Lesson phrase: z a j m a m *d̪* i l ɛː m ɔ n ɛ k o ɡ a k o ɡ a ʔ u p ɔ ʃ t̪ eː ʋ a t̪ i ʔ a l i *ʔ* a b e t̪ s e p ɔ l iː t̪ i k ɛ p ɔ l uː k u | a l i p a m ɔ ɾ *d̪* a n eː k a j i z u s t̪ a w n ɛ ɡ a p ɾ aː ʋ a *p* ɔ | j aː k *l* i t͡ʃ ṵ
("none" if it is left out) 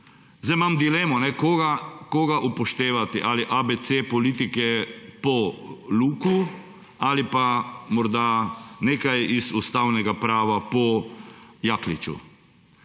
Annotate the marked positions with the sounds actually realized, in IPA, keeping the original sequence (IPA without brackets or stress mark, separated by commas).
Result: d̪, ʔ, d̪, p, l